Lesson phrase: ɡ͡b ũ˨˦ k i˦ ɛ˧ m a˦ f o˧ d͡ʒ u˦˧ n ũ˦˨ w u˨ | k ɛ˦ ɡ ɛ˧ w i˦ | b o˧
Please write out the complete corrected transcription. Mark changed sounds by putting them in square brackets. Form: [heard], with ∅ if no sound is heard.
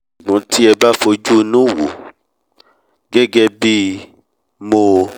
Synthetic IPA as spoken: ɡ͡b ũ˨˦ [t] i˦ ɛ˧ [b] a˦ f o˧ d͡ʒ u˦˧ n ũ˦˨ w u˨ | [ɡ] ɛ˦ ɡ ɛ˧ [b] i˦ | [m] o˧